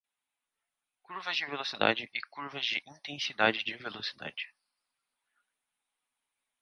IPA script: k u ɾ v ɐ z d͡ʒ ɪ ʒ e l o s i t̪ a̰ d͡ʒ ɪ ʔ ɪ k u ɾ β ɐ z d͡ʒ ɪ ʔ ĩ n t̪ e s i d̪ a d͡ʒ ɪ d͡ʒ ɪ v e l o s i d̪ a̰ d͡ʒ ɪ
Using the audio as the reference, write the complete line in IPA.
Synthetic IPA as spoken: k u ɾ v ɐ z d͡ʒ ɪ v e l o s i d̪ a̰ d͡ʒ ɪ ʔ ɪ k u ɾ v ɐ z d͡ʒ ɪ ʔ ĩ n t̪ ẽ s i d̪ a d͡ʒ ɪ d͡ʒ ɪ v e l o s i d̪ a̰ d͡ʒ ɪ